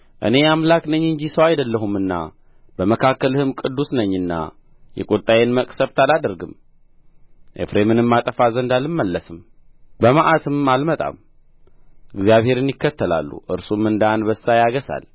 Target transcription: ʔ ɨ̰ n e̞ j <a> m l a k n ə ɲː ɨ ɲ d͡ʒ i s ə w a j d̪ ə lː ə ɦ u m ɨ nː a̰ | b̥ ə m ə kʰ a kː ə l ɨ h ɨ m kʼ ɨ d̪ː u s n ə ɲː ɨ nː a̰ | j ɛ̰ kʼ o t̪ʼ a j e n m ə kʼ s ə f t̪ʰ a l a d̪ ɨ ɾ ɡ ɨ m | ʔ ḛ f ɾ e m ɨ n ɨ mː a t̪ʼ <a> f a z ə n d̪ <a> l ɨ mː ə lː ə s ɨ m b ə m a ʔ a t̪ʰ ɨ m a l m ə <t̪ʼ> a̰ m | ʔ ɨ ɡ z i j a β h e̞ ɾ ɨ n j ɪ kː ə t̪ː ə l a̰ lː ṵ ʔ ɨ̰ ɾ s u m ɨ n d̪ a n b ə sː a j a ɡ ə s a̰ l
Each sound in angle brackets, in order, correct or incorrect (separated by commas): correct, incorrect, correct, correct